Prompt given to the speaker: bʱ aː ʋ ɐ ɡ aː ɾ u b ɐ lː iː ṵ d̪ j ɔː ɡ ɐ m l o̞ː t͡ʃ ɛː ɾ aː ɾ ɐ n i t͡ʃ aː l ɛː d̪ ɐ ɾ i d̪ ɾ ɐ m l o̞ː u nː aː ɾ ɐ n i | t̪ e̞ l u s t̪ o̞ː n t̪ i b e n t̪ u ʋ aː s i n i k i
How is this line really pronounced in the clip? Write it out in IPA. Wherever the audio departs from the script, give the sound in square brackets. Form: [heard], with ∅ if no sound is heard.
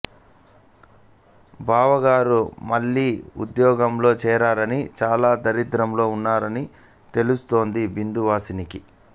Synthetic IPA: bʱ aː ʋ ɐ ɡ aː ɾ u [m] ɐ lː iː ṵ d̪ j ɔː ɡ ɐ m l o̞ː t͡ʃ ɛː ɾ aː ɾ ɐ n i t͡ʃ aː l [aː] d̪ ɐ ɾ i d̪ ɾ ɐ m l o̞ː u nː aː ɾ ɐ n i | t̪ e̞ l u s t̪ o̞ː n [d̪] i b [i] n [d̪] u ʋ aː s i n i k i